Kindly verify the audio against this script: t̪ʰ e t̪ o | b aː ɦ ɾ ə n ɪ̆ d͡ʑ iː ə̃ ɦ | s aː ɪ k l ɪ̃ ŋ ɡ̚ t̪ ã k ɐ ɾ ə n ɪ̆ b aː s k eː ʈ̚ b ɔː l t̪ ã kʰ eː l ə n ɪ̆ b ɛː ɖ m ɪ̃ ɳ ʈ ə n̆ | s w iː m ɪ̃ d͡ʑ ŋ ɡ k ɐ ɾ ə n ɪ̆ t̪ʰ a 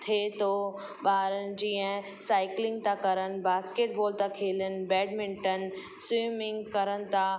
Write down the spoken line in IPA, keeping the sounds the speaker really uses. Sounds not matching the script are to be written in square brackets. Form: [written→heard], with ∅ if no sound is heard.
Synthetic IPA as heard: t̪ʰ e t̪ o | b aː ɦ ɾ ə n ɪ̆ d͡ʑ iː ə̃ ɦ | s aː ɪ k l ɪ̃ ŋ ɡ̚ t̪ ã k ɐ ɾ ə n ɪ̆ b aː s k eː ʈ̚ b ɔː l t̪ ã kʰ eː l ə n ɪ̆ b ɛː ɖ m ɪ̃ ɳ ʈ ə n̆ | s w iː m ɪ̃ [d͡ʑ→∅] ŋ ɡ k ɐ ɾ ə n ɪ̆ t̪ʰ a

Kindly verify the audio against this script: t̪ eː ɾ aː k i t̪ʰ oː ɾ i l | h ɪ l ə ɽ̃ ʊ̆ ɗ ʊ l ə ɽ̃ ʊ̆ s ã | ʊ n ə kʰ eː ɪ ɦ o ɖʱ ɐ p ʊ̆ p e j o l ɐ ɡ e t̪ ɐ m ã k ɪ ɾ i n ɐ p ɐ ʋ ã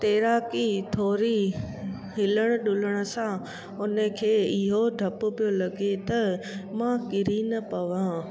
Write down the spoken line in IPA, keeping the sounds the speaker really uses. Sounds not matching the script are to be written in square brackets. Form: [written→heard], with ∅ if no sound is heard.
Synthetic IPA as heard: t̪ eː ɾ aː k i t̪ʰ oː ɾ i [l→∅] | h ɪ l ə ɽ̃ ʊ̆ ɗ ʊ l ə ɽ̃ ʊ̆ s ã | ʊ n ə kʰ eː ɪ ɦ o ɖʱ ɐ p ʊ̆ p [e→i] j o l ɐ ɡ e t̪ ɐ m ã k ɪ ɾ i n ɐ p ɐ ʋ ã

